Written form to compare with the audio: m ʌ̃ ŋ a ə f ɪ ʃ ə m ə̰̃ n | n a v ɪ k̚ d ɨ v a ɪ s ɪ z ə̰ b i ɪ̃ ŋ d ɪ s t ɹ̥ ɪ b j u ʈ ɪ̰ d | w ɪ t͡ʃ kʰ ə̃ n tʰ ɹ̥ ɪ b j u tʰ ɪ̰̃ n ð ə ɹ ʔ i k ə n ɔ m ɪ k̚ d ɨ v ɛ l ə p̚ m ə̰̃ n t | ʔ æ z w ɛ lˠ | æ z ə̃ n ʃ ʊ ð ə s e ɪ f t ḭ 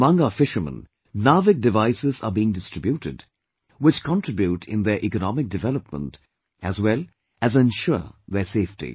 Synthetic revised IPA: m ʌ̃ ŋ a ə f ɪ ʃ ə m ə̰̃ n | n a v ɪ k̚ d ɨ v a ɪ s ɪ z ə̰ b i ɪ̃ ŋ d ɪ s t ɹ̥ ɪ b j u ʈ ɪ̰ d | w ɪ t͡ʃ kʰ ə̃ n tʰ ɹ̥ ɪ b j u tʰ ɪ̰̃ n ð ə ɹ ʔ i k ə n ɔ m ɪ k̚ d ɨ v ɛ l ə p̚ m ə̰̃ n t | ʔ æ z w ɛ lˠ | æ z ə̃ n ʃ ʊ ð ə s e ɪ f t ḭ